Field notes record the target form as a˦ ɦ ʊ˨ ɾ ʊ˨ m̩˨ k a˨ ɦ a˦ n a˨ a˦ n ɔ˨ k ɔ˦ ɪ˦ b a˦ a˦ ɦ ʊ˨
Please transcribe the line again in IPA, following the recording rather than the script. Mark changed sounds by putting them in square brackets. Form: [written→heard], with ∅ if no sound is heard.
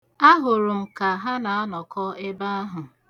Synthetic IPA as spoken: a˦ ɦ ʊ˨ ɾ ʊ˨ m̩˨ k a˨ ɦ a˦ n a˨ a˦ n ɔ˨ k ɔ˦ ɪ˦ b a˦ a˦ ɦ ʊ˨